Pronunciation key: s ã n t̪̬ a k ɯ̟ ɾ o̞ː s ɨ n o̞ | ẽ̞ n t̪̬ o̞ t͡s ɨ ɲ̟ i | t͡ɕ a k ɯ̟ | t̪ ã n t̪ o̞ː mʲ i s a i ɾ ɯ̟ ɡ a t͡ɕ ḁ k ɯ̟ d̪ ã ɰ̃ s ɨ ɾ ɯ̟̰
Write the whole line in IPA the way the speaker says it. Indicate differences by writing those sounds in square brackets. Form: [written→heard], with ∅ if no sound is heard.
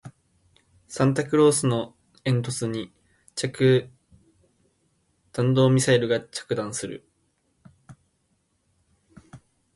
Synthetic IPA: s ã n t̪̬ a k ɯ̟ ɾ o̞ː s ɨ n o̞ | ẽ̞ n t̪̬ o̞ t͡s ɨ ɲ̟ i | t͡ɕ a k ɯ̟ | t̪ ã n [t̪→d̪] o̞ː mʲ i s a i ɾ ɯ̟ ɡ a t͡ɕ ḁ k ɯ̟ d̪ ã ɰ̃ s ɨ ɾ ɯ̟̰